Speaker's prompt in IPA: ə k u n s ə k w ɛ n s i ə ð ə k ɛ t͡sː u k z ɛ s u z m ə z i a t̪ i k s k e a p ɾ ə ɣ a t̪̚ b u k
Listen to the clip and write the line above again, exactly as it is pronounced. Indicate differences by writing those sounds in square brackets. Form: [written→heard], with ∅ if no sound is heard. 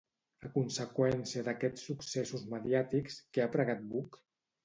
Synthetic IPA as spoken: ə k u n s ə k w ɛ n s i ə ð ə k ɛ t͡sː u k [z→s] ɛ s u z m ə [z→ð] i a t̪ i k s k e a p ɾ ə ɣ a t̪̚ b u k